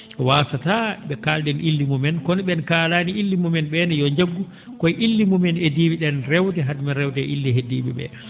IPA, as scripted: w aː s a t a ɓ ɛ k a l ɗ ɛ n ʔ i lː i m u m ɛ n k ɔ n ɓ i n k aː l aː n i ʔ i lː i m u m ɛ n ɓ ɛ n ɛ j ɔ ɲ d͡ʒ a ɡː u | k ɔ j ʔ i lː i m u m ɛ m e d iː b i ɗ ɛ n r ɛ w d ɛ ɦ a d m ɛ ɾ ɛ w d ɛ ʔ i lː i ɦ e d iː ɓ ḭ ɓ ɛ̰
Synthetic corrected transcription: w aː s a t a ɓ ɛ k a l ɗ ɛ n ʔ i lː i m u m ɛ n k ɔ n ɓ ɛ n k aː l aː n i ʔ i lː i m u m ɛ n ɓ ɛ n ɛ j ɔ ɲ d͡ʒ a ɡː u | k ɔ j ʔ i lː i m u m ɛ n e d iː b i ɗ ɛ n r ɛ w d ɛ ɦ a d m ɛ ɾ ɛ w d ɛ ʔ i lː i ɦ e d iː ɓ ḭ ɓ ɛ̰